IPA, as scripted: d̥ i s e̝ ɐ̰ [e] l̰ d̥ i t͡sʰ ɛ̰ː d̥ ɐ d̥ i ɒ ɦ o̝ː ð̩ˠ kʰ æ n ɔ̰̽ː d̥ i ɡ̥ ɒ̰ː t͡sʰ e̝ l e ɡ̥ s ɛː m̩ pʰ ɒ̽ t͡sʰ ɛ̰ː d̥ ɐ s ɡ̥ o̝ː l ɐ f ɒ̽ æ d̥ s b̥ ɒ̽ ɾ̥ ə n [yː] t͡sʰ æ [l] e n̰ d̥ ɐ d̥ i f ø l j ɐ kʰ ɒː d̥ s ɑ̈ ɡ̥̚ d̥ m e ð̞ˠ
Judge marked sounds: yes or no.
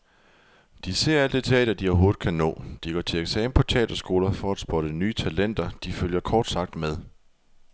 no, yes, yes

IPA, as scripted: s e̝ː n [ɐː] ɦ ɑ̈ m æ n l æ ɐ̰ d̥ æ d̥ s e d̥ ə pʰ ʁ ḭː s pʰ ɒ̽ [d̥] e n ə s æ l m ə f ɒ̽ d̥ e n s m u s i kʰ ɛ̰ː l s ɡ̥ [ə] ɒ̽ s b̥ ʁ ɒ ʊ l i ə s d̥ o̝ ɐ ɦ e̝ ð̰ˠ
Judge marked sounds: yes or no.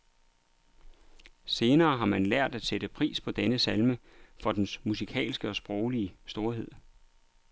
yes, yes, yes

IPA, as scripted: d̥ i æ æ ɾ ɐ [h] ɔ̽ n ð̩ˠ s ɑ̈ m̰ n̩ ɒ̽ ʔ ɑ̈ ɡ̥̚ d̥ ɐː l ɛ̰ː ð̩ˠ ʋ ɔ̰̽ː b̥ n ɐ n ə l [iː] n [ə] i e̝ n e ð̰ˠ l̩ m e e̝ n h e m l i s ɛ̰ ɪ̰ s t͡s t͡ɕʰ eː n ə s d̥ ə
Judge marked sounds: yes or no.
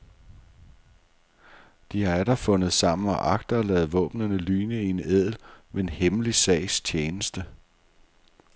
no, no, yes

